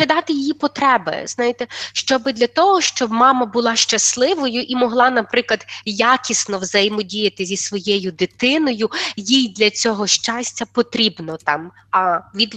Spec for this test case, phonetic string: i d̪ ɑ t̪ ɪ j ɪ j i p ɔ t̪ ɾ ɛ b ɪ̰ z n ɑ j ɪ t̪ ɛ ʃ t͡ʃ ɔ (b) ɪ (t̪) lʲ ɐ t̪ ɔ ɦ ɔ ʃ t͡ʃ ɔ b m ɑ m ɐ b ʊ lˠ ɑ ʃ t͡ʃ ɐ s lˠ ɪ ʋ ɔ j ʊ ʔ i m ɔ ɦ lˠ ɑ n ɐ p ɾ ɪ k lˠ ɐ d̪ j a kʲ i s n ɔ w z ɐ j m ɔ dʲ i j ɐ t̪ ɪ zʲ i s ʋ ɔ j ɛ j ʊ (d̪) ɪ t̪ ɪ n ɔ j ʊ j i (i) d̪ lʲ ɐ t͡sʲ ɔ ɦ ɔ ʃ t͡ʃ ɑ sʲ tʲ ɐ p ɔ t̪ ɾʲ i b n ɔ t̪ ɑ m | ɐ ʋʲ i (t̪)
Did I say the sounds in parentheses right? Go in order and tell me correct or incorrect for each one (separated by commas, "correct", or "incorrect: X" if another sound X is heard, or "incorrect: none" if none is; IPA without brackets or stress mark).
correct, incorrect: d̪, correct, incorrect: j, incorrect: d̪